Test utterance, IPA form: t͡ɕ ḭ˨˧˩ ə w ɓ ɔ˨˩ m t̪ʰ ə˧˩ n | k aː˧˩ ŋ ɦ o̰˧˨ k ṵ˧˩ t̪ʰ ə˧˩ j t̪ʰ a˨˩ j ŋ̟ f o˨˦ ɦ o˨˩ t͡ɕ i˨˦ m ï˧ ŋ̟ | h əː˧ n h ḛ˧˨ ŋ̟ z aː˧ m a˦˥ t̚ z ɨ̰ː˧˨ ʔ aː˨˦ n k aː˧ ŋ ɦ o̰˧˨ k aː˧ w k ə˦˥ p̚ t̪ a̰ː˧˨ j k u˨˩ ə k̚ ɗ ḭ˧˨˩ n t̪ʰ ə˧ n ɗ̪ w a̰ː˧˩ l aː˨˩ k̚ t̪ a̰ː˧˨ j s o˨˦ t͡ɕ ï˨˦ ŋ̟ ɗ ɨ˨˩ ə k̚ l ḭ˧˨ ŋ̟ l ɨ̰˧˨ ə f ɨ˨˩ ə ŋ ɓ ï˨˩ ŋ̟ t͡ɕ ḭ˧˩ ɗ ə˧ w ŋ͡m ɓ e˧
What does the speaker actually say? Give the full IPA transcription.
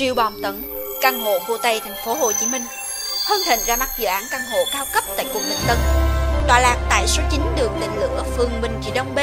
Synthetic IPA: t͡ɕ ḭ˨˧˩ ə w ɓ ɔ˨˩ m t̪ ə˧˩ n | k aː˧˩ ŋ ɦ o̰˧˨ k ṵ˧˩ t̪ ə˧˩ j t̪ʰ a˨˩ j ŋ̟ f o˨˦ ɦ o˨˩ t͡ɕ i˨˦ m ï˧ ŋ̟ | h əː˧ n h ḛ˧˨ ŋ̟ z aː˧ m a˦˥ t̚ z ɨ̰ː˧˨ ʔ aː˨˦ n k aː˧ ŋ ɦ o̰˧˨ k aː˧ w k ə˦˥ p̚ t̪ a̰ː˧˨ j k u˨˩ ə k̚ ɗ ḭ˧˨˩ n t̪ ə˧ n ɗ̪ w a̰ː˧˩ l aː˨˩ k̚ t̪ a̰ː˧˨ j s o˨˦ t͡ɕ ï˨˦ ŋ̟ ɗ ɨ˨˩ ə k̚ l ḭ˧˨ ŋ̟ l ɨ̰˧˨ ə f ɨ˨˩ ə ŋ ɓ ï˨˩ ŋ̟ t͡ɕ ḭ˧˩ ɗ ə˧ w ŋ͡m ɓ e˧